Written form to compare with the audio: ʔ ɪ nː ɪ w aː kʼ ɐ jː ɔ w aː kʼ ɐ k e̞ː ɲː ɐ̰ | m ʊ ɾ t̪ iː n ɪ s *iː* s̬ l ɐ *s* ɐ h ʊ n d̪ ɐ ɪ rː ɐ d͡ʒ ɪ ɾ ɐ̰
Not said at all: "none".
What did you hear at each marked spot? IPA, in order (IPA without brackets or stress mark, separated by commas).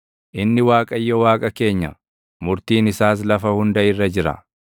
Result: aː, f